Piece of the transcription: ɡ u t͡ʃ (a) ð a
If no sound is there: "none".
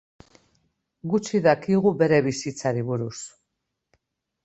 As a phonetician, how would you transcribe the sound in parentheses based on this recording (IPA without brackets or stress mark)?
i